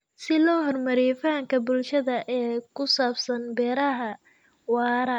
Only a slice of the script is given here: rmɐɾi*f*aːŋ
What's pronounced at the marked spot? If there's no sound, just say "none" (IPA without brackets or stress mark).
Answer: f